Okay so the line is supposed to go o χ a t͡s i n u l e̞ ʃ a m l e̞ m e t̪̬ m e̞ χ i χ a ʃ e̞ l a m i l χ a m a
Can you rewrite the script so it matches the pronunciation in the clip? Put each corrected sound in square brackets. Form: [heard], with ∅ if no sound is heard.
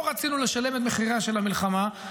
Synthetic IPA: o [ʁ] a t͡s i n u l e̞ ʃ a [∅] l e̞ m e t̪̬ m e̞ χ i [ʁ] a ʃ e̞ l a m i l χ a m a